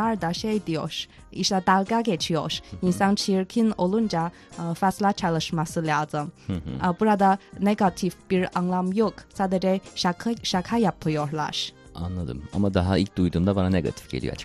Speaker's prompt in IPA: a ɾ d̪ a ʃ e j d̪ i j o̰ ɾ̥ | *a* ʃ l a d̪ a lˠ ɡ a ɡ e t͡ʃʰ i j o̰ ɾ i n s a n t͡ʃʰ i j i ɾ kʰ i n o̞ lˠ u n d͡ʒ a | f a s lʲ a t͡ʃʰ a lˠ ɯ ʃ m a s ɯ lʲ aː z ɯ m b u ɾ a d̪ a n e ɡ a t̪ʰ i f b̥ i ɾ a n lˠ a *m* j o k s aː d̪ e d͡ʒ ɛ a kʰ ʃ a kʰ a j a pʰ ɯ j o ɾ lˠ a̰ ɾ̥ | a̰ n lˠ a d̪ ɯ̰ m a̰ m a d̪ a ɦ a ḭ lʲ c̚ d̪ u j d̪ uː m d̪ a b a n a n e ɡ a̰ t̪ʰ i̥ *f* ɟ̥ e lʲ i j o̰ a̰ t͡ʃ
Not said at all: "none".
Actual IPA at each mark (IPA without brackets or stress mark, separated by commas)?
i, m, f